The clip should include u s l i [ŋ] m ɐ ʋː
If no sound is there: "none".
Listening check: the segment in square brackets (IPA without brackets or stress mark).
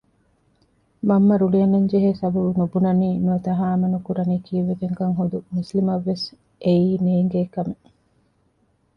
none